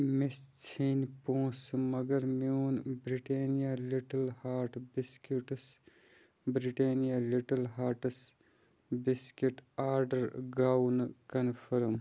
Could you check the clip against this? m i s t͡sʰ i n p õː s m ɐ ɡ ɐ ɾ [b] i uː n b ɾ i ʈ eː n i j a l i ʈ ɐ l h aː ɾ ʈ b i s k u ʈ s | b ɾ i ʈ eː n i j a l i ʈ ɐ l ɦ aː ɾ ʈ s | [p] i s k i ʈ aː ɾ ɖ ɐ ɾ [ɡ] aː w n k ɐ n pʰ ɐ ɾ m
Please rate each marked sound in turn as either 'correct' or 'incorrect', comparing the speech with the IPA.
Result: incorrect, incorrect, correct

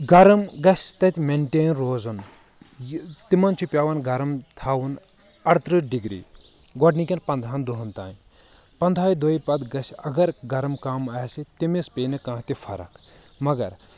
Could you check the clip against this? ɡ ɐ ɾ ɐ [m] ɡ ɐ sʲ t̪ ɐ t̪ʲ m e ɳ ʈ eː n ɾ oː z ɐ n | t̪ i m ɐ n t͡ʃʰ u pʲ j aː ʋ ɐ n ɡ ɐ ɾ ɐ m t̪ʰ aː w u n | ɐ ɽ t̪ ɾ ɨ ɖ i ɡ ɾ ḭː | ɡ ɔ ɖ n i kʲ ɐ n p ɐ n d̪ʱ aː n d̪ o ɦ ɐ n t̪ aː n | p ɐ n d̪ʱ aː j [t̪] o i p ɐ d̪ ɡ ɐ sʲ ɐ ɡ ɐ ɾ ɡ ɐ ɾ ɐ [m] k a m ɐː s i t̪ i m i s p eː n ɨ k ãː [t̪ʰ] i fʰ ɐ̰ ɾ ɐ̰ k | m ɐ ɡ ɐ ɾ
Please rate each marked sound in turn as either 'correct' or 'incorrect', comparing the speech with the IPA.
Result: correct, incorrect, correct, incorrect

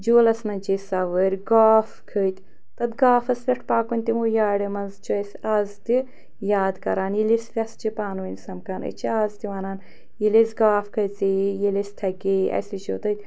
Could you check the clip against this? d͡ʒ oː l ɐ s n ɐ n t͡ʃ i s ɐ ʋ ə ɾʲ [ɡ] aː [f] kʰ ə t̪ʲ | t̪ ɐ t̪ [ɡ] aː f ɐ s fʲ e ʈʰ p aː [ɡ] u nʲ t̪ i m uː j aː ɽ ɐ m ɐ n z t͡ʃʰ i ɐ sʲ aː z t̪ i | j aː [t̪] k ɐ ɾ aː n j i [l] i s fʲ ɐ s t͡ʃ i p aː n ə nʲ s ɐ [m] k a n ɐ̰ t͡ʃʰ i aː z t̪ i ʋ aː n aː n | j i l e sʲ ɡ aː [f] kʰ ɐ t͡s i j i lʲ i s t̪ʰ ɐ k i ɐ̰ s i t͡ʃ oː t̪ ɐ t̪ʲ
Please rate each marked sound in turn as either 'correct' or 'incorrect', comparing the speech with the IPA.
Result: correct, correct, correct, incorrect, incorrect, correct, correct, correct

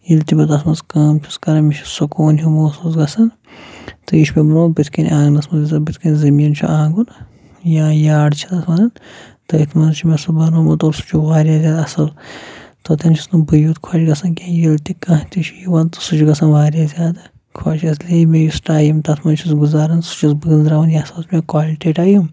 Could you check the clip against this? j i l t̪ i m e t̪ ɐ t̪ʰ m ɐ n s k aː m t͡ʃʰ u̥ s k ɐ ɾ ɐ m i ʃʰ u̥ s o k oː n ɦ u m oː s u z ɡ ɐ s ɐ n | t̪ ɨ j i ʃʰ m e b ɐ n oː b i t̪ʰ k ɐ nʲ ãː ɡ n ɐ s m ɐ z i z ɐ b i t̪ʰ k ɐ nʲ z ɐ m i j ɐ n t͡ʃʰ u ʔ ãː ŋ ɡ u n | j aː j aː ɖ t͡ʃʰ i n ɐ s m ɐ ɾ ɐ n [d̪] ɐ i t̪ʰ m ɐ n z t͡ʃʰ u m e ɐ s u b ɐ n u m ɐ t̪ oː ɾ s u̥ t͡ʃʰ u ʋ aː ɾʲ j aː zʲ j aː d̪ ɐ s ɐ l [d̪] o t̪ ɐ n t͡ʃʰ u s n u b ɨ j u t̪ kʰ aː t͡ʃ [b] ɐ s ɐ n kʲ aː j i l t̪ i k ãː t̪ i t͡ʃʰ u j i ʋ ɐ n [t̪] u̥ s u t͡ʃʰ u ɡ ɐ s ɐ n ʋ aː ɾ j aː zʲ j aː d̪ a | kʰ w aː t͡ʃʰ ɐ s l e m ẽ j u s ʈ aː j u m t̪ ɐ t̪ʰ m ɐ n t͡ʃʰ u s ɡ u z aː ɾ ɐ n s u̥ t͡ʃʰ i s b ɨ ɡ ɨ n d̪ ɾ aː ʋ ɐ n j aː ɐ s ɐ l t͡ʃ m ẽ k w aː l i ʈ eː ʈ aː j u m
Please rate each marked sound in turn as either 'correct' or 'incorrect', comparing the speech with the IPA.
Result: incorrect, incorrect, incorrect, correct

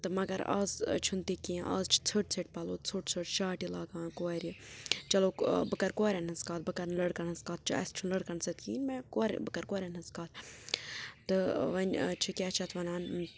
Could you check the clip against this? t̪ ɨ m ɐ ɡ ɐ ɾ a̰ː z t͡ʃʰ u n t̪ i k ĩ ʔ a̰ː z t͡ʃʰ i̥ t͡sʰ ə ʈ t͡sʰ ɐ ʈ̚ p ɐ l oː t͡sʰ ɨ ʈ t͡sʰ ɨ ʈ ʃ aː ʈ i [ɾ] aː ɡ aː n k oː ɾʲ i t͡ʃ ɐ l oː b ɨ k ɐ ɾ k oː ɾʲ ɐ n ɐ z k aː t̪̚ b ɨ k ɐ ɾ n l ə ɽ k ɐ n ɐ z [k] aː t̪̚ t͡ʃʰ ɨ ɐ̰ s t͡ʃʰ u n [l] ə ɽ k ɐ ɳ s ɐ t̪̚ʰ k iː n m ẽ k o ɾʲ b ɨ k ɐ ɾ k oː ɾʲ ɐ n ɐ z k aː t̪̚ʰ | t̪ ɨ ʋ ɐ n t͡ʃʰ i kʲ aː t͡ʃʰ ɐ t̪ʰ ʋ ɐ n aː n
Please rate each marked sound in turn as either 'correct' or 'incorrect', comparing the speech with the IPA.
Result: incorrect, correct, correct

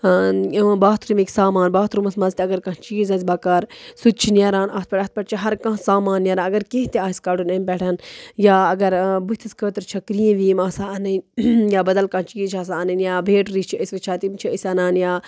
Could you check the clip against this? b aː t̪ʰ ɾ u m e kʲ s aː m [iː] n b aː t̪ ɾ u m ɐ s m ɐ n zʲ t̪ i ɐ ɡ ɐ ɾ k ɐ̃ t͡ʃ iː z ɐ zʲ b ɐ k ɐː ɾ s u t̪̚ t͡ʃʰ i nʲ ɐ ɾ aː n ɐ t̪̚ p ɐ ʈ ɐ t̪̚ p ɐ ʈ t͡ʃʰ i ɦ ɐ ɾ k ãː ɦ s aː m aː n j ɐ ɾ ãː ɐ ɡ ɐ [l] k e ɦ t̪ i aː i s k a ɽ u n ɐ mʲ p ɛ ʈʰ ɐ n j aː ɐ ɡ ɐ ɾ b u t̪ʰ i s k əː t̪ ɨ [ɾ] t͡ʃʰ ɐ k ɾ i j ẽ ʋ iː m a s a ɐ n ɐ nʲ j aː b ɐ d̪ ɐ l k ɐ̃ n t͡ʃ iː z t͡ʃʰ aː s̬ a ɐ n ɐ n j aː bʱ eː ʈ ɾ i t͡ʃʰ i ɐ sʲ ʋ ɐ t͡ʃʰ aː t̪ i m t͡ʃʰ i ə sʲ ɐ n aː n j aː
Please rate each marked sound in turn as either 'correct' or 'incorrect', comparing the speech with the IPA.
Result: incorrect, incorrect, correct

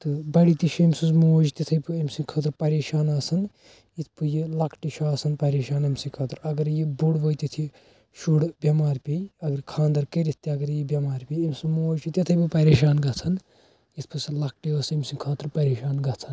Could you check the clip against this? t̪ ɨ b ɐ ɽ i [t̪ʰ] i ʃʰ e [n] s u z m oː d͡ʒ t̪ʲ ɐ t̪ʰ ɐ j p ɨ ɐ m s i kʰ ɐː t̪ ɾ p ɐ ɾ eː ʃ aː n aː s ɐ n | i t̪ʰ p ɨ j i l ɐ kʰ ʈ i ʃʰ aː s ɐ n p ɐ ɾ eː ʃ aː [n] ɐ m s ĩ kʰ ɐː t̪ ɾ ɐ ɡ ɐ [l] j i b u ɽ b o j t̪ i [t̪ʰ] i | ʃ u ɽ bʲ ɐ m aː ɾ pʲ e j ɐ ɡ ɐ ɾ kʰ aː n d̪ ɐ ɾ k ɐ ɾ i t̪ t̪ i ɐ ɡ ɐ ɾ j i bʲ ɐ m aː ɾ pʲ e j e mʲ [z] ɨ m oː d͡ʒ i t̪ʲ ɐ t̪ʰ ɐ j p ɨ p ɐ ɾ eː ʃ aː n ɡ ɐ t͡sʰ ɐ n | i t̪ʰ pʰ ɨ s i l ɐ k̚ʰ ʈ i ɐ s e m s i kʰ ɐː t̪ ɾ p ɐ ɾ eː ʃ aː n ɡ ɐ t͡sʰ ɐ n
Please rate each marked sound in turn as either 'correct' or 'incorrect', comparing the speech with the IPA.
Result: incorrect, incorrect, correct, incorrect, correct, incorrect

